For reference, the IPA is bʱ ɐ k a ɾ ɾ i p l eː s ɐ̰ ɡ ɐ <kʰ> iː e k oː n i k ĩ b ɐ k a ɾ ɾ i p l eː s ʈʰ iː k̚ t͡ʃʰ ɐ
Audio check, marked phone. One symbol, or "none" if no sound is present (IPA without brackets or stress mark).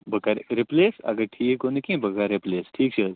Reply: ʈʰ